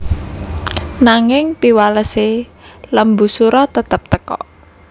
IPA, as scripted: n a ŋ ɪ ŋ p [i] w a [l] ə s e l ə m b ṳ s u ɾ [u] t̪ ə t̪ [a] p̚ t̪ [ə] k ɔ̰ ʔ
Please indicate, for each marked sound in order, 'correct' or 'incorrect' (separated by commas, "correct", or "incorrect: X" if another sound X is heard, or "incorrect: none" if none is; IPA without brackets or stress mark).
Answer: correct, correct, incorrect: ɔ, incorrect: ə, correct